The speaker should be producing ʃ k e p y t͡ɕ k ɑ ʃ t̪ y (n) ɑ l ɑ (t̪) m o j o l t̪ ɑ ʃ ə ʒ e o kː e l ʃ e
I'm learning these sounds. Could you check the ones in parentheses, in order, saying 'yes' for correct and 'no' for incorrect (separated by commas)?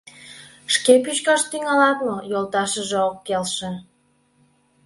no, yes